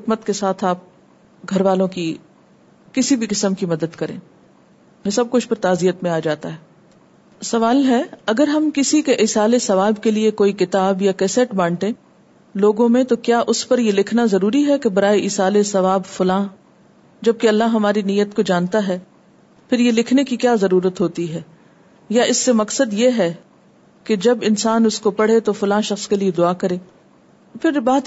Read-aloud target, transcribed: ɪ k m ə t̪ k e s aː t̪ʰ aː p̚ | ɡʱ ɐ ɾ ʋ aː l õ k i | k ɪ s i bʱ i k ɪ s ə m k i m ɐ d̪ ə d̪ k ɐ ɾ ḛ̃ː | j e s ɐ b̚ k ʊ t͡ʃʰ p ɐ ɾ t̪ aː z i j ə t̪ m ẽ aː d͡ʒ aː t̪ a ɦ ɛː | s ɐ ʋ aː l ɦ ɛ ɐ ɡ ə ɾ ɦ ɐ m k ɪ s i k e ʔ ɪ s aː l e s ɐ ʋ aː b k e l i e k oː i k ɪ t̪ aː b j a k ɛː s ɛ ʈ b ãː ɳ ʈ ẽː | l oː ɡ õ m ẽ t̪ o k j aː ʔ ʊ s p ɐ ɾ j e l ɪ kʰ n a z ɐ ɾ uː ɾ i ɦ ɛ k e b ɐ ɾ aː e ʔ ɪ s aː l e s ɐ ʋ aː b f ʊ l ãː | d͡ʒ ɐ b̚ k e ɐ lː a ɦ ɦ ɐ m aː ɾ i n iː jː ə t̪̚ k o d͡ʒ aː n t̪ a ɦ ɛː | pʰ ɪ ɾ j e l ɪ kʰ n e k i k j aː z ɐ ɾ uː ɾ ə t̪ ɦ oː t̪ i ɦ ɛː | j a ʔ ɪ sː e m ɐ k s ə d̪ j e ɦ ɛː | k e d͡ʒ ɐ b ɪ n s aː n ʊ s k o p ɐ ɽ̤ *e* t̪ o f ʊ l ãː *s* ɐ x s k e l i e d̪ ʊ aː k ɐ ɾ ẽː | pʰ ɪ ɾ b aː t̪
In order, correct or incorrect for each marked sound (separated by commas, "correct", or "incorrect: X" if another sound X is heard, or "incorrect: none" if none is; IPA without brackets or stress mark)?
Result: correct, incorrect: ʃ